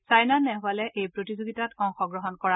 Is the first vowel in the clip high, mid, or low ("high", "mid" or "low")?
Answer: low